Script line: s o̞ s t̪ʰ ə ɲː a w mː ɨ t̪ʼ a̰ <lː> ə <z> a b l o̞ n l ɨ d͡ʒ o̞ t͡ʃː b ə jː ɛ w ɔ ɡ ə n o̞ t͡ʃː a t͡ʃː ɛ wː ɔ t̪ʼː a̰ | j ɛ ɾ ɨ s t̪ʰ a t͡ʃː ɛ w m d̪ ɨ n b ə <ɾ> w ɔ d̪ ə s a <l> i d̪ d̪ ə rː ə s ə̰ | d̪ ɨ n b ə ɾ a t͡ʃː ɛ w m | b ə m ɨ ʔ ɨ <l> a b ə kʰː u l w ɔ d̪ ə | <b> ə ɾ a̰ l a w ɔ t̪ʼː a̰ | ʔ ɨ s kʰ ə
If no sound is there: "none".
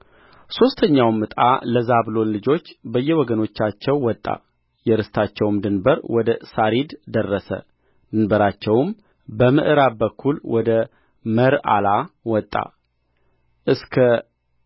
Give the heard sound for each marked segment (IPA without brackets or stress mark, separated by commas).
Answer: l, z, ɾ, ɾ, ɾ, m